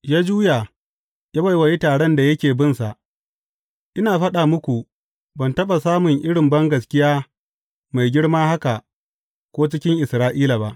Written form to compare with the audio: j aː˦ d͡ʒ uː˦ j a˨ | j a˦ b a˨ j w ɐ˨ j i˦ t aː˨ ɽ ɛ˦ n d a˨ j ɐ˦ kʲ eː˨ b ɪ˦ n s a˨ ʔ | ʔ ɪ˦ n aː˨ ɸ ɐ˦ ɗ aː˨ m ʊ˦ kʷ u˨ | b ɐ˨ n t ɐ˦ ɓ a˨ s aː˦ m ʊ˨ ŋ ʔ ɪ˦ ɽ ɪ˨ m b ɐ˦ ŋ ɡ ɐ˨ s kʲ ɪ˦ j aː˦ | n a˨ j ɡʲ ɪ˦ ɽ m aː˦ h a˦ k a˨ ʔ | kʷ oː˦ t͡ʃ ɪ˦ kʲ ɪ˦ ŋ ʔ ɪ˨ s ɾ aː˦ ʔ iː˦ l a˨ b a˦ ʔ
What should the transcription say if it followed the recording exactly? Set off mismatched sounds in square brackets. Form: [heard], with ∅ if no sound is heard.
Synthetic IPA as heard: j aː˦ d͡ʒ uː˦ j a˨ | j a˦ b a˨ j w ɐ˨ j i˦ t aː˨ ɽ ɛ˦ n d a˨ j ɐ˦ kʲ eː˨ b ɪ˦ n s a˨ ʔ | ʔ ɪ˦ n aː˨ ɸ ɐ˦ ɗ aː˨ m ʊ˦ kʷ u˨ | b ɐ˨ n t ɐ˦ ɓ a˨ s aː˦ m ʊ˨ ŋ ʔ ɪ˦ ɽ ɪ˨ m b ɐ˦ ŋ ɡ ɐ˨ s kʲ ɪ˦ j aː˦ | [m] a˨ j ɡʲ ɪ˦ ɽ m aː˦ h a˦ k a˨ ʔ | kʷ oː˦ t͡ʃ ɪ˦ kʲ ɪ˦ ŋ ʔ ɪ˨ s ɾ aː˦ ʔ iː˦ l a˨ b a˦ ʔ